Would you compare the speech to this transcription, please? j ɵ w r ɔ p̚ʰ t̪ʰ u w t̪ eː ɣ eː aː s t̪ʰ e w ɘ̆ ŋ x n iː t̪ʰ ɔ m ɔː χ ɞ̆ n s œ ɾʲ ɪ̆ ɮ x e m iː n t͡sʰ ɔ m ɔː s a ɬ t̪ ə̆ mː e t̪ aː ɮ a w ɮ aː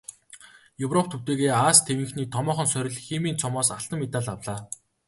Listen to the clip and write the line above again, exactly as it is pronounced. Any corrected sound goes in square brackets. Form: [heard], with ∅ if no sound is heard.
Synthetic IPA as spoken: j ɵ w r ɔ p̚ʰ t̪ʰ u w t̪ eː ɣ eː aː s t̪ʰ e w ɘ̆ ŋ x n iː t̪ʰ ɔ m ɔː χ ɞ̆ n s œ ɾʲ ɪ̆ ɮ x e m iː n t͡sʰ ɔ m ɔː s a ɬ t̪ ə̆ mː e t̪ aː ɮ a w ɮ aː